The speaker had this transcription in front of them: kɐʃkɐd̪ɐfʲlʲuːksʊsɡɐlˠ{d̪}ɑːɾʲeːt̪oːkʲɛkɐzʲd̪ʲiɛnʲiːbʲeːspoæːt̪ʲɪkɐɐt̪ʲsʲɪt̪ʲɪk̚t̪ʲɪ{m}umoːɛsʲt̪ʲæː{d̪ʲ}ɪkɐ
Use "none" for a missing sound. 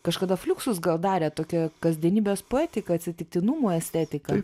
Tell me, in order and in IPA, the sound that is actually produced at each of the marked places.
d̪, n, t̪ʲ

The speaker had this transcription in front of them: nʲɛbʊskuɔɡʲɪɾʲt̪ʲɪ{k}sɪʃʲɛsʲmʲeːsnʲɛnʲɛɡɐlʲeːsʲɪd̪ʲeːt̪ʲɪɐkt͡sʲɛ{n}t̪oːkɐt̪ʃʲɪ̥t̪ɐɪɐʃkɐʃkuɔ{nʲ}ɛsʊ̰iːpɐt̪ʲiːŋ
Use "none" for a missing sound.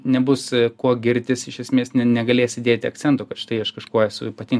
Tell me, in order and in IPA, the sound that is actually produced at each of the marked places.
none, n, none

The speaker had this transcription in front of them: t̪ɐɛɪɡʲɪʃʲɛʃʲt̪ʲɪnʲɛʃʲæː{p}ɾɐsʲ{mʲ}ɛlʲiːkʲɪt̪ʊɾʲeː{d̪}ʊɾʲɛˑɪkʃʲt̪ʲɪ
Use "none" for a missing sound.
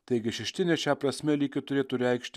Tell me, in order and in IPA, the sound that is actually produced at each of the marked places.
p, mʲ, t̪

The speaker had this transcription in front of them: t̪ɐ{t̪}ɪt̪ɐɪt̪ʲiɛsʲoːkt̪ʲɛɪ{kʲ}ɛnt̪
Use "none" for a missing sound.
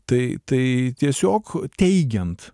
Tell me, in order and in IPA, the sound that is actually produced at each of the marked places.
none, ɡʲ

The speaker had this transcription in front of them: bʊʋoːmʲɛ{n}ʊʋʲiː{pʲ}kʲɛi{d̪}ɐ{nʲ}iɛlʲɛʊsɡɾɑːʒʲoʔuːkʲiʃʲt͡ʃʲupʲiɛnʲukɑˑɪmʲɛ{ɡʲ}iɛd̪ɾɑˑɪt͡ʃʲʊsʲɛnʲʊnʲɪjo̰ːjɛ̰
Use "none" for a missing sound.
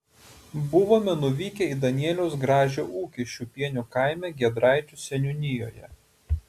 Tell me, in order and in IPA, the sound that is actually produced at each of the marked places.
n, none, d̪, nʲ, ɡʲ

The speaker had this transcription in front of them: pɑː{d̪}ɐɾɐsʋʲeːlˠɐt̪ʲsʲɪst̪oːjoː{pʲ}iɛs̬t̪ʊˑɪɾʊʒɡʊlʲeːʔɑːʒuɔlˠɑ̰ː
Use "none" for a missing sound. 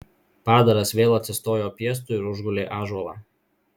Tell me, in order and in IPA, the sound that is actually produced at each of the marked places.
d̪, pʲ

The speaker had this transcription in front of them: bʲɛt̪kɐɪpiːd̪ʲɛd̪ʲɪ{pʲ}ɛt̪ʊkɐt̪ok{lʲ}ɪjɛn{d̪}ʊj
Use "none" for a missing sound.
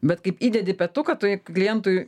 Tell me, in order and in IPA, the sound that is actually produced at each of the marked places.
pʲ, lʲ, t̪

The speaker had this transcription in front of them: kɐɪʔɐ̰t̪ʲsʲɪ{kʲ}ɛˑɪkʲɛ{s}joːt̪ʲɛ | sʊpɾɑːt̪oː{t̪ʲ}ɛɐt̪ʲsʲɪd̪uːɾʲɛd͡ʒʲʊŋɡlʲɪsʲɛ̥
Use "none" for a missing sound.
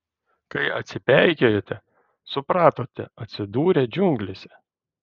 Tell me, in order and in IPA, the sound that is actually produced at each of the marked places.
pʲ, none, t̪ʲ

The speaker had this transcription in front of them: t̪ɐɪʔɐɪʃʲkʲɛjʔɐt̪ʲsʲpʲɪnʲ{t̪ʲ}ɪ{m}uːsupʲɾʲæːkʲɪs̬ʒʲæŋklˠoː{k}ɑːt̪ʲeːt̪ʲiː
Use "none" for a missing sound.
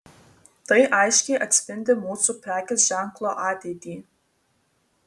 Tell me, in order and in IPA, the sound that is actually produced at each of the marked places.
d̪ʲ, m, ʔ

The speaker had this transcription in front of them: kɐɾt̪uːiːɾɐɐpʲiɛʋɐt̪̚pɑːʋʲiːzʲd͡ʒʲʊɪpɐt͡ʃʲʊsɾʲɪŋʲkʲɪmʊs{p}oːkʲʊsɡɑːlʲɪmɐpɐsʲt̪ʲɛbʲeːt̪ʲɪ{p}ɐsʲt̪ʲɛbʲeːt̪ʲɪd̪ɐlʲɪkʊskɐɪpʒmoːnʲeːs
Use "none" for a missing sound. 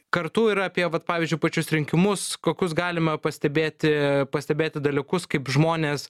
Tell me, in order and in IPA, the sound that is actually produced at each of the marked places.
k, p

